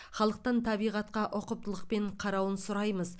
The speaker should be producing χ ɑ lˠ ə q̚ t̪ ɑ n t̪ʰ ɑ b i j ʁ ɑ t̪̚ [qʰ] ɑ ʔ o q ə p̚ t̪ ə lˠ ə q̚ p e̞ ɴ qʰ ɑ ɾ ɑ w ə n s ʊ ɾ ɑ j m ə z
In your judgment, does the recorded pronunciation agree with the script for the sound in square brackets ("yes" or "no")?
no